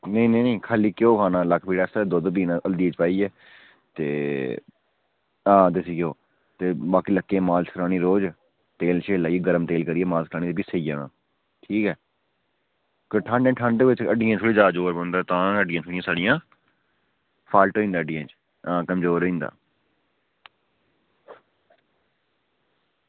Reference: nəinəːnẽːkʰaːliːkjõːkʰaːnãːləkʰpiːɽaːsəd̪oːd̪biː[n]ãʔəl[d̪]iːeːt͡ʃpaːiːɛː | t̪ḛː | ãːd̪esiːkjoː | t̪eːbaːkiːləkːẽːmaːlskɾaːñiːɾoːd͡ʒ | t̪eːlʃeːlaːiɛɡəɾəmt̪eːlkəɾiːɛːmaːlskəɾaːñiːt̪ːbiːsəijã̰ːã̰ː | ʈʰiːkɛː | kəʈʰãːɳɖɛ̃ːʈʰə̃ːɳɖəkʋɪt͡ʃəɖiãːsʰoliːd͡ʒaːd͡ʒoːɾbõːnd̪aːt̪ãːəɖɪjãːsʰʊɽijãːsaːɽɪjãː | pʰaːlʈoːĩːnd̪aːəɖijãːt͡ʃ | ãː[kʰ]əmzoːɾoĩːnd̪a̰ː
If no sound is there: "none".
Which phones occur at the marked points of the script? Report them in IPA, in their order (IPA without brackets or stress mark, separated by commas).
n, d̪, k